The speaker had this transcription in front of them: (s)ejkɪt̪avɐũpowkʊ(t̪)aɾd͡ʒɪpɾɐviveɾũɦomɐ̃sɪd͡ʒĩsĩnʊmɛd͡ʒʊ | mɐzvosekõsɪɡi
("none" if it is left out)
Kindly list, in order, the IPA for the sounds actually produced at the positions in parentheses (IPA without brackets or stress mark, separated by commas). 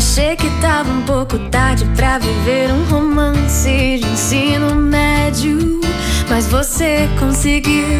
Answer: ʃ, t̪